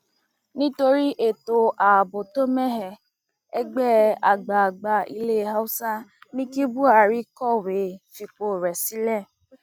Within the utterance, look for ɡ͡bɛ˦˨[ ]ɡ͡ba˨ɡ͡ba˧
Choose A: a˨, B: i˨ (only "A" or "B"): A